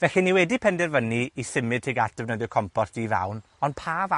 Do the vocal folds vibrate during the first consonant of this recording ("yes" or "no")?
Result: yes